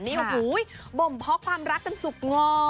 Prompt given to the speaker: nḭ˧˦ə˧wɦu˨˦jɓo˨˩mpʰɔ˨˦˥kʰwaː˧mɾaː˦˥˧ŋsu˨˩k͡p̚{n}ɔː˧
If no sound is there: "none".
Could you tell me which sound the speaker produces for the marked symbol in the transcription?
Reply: ŋ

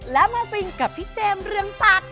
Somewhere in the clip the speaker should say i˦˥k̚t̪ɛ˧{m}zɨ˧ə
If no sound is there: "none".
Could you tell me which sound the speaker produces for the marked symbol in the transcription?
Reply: m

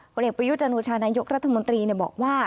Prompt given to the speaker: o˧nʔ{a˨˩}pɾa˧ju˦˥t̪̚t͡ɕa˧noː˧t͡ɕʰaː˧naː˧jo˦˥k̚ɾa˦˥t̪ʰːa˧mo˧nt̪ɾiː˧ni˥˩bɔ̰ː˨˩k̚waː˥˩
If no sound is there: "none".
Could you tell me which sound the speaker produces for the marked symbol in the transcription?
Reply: e˨˩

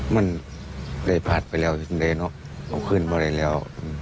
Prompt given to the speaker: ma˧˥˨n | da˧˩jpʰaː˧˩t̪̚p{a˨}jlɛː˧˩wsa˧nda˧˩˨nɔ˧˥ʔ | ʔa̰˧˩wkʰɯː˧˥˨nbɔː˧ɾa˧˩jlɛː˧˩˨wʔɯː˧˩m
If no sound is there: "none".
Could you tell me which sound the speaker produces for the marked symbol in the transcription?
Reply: a˨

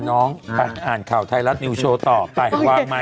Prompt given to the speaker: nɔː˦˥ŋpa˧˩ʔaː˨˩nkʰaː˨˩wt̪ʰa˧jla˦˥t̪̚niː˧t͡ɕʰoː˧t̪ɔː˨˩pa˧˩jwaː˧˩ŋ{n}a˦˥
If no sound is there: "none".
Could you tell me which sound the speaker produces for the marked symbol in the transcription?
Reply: m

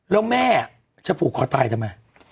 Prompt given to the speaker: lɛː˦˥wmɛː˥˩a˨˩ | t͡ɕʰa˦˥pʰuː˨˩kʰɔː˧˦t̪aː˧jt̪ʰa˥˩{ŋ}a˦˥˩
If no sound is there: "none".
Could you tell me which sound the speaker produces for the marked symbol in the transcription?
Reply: m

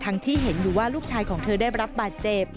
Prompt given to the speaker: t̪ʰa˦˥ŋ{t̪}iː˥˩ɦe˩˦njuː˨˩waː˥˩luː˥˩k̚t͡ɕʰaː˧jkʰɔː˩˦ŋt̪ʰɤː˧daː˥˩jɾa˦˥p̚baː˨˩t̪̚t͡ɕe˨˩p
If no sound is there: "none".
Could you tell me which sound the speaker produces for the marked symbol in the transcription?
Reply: t̪ʰ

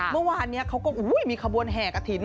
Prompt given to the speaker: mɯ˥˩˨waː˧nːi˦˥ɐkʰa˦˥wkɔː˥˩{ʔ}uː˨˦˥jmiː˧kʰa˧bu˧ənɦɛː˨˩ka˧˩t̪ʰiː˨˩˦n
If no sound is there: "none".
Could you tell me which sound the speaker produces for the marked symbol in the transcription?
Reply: ʔ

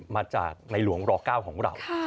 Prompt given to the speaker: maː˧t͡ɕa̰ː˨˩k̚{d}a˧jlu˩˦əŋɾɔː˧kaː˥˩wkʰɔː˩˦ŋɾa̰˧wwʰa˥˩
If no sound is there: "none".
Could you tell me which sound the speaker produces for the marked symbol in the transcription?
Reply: n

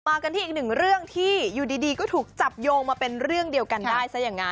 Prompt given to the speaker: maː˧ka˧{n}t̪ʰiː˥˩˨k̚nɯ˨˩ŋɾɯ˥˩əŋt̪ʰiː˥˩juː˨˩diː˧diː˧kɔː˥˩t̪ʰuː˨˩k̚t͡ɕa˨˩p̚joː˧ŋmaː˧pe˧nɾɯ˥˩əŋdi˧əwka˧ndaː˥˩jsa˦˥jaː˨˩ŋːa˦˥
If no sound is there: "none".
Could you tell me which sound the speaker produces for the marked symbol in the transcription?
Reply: n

